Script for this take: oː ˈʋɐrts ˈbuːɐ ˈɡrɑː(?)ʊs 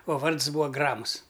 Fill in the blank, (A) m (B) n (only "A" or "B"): A